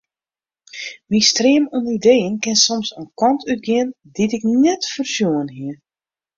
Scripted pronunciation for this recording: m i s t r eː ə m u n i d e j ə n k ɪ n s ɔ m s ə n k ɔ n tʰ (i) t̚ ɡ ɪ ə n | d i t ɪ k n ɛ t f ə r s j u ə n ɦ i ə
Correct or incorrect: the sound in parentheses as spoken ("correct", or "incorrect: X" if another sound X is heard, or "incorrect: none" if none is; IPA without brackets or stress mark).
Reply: incorrect: y